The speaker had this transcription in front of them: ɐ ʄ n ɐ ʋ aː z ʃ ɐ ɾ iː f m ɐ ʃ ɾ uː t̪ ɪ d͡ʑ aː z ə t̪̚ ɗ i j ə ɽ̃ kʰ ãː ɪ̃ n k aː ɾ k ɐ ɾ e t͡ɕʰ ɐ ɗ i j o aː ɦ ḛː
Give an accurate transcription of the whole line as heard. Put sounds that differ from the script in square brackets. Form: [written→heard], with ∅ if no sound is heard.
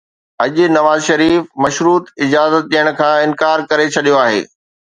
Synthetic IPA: ɐ ʄ n ɐ ʋ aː z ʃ ɐ ɾ iː f m ɐ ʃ ɾ uː t̪ ɪ d͡ʑ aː z ə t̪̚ ɗ i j ə ɽ̃ kʰ ãː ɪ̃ n k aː ɾ k ɐ ɾ e t͡ɕʰ ɐ ɗ i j o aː ɦ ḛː